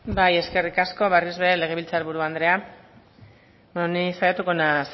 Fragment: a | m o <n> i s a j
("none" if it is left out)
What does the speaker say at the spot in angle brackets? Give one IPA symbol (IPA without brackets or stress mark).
n